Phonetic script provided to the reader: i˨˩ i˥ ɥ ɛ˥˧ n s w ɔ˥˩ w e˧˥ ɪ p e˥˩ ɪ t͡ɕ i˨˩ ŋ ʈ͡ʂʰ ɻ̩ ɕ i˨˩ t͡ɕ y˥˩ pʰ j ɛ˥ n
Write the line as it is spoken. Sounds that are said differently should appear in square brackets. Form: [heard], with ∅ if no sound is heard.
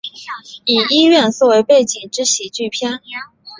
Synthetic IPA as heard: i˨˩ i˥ ɥ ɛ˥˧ n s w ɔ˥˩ w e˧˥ ɪ p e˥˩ ɪ t͡ɕ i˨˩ ŋ [ʈ͡ʂ] ɻ̩ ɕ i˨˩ t͡ɕ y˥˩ pʰ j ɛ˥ n